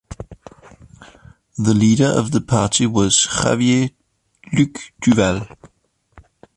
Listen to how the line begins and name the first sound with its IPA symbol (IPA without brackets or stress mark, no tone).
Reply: ð